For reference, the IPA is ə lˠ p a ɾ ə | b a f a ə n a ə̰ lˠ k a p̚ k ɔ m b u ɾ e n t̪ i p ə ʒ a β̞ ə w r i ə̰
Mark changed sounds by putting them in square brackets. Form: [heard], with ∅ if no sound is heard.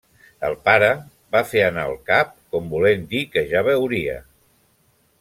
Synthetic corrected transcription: ə lˠ p a ɾ ə | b a f [e] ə n a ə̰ lˠ k a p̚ k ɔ m b u [l] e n [d̪] i [k] ə ʒ a β̞ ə w [ɾ] i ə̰